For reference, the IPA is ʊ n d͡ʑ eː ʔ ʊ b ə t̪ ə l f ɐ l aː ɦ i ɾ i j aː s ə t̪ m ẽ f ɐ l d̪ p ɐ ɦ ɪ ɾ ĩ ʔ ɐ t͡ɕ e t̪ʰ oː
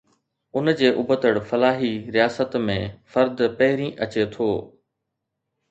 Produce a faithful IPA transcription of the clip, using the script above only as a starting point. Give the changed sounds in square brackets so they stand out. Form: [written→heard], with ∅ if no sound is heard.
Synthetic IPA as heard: ʊ n d͡ʑ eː ʔ ʊ b ə t̪ ə [l→ɽ] f ɐ l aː ɦ i ɾ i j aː s ə t̪ m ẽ f ɐ [l→ɾ] d̪ p ɐ ɦ ɪ ɾ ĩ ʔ ɐ t͡ɕ e t̪ʰ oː